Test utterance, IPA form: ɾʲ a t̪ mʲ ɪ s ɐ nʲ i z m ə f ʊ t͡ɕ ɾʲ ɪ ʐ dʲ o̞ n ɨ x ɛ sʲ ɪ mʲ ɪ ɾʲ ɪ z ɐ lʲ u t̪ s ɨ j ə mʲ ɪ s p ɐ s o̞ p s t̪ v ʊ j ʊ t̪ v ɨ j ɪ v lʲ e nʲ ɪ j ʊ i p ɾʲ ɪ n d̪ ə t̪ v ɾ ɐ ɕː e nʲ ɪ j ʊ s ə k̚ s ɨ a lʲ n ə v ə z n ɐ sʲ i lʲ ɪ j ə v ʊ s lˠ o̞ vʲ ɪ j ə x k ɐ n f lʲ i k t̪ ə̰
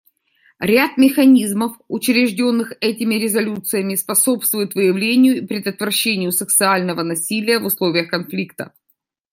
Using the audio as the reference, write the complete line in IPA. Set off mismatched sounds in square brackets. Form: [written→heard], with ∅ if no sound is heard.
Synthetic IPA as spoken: ɾʲ a t̪ mʲ ɪ [s→x] ɐ nʲ i z m ə f ʊ t͡ɕ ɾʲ ɪ ʐ dʲ o̞ [n→nː] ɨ x ɛ [sʲ→tʲ] ɪ mʲ ɪ ɾʲ ɪ z ɐ lʲ u t̪ s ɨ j ə mʲ ɪ s p ɐ s o̞ p s t̪ v ʊ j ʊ t̪ v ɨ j ɪ v lʲ e nʲ ɪ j ʊ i p ɾʲ ɪ [n→∅] d̪ ə t̪ v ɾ ɐ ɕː e nʲ ɪ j ʊ s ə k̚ s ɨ a lʲ n ə v ə [z→∅] n ɐ sʲ i lʲ ɪ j ə v ʊ s lˠ o̞ vʲ ɪ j ə x k ɐ n f lʲ i k t̪ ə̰